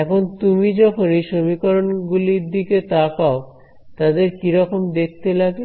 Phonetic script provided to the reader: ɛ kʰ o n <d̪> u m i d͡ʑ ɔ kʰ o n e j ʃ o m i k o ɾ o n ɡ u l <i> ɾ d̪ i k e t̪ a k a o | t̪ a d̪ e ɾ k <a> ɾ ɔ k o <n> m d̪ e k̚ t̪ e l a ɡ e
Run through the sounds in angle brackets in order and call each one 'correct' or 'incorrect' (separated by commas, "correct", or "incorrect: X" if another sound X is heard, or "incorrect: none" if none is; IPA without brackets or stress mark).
incorrect: t̪, correct, incorrect: i, incorrect: none